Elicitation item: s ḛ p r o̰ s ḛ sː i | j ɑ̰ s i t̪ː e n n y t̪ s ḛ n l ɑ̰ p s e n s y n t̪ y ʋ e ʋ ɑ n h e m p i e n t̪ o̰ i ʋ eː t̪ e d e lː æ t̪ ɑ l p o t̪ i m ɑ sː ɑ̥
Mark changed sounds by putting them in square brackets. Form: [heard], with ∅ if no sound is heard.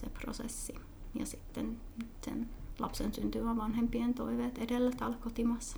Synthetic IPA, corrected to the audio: s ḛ p r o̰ s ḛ sː i | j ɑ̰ s i t̪ː e n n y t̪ s ḛ n l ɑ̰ p s e n s y n t̪ y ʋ [æ] ʋ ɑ n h e m p i e n t̪ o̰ i ʋ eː t̪ e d e lː æ t̪ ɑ l [k] o t̪ i m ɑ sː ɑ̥